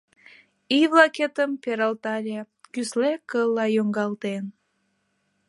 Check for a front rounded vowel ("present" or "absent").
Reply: present